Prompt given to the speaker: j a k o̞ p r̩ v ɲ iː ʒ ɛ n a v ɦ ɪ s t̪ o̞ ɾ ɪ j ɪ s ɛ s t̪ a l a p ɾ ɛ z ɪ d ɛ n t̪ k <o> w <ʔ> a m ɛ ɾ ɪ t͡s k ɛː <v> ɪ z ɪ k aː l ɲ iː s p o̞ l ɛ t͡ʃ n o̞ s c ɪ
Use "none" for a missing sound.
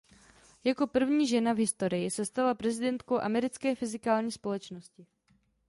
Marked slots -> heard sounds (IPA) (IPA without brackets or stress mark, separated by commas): o, ʔ, f